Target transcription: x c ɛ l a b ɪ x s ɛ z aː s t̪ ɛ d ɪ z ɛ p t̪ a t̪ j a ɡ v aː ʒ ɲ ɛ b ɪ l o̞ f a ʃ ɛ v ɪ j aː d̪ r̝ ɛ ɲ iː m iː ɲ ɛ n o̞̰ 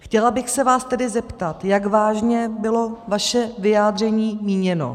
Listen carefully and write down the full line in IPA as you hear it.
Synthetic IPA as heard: x c ɛ l a b ɪ x s ɛ v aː s t̪ ɛ d ɪ z ɛ p t̪ a t̪ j a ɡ v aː ʒ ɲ ɛ b ɪ l o̞ v a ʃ ɛ v ɪ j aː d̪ r̝ ɛ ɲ iː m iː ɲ ɛ n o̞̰

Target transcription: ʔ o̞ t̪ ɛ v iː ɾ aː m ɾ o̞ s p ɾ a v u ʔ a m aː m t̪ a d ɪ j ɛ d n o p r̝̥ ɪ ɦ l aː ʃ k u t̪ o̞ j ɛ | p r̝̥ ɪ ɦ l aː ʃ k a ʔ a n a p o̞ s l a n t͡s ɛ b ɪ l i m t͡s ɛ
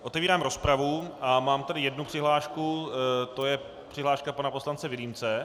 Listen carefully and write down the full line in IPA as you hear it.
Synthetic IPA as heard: ʔ o̞ t̪ ɛ v iː ɾ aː m ɾ o̞ s p ɾ a v u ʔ a m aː m t̪ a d ɪ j ɛ d n u p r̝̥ ɪ ɦ l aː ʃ k u t̪ o̞ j ɛ | p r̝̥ ɪ ɦ l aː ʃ k a p a n a p o̞ s l a n t͡s ɛ v ɪ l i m t͡s ɛ

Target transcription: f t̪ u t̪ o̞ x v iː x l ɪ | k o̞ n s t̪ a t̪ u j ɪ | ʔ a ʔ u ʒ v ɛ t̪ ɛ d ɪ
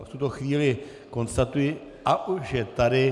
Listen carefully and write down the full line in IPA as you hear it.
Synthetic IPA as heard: f t̪ u t̪ o̞ x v iː l ɪ | k o̞ n s t̪ a t̪ u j ɪ | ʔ a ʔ u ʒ ʒ ɛ t̪ a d ɪ

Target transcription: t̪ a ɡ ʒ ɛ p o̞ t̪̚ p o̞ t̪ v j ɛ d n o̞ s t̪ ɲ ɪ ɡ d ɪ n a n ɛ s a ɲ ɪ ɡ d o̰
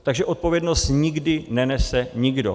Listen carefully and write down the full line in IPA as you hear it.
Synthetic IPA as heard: t̪ a ɡ ʒ ɛ ʔ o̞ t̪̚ p o̞ v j ɛ d n o̞ s t̪ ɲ ɪ ɡ d ɪ n ɛ n ɛ s ɛ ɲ ɪ ɡ d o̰

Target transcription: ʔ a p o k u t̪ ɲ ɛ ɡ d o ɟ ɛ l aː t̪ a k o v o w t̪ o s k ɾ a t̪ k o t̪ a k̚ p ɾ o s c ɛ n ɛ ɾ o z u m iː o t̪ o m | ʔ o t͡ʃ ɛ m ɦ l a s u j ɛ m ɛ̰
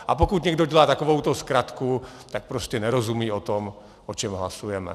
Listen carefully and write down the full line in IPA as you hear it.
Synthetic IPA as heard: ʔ a p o k u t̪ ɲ ɛ ɡ d o ɟ ɛ l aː t̪ a k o v o w t̪ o s k ɾ a t̪ k u t̪ a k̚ p ɾ o s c ɛ n ɛ ɾ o z u m iː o t̪ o m | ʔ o t͡ʃ ɛ m ɦ l a s u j ɛ m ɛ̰

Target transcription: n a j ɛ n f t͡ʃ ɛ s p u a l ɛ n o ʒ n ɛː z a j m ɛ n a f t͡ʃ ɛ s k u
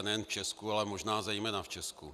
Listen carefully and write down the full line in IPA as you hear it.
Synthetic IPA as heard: n ɛ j ɛ n f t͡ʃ ɛ s k u a l ɛ m o ʒ n aː z ɛ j m ɛ n a f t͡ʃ ɛ s k u

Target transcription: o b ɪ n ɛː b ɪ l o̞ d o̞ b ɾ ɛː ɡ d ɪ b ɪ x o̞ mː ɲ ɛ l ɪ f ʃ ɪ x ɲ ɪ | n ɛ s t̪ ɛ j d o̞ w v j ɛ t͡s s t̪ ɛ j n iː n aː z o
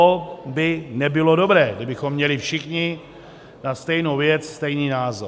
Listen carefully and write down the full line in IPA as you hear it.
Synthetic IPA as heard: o b ɪ n ɛ b ɪ l o̞ d o̞ b ɾ ɛː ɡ d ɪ b ɪ x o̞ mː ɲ ɛ l ɪ f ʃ ɪ x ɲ ɪ | n a s t̪ ɛ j n o̞ w v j ɛ t͡s s t̪ ɛ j n iː n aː z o

